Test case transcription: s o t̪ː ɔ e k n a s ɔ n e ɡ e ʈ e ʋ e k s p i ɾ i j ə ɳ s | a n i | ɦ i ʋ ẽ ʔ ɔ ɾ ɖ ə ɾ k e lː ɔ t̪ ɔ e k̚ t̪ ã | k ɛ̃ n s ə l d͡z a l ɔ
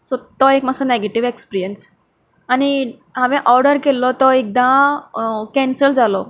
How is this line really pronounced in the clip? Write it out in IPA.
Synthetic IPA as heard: s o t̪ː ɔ e k m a s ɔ n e ɡ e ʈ i ʋ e k s p i ɾ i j ə n s | a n i | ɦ a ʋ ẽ ʔ ɔ ɾ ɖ ə ɾ k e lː ɔ t̪ ɔ e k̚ d̪ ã | k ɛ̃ n s ə l d͡z a l ɔ